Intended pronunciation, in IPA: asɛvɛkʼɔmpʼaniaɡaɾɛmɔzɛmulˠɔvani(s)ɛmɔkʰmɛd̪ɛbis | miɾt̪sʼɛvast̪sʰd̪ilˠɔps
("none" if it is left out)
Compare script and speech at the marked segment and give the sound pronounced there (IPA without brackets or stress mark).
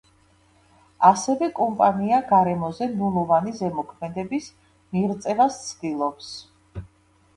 z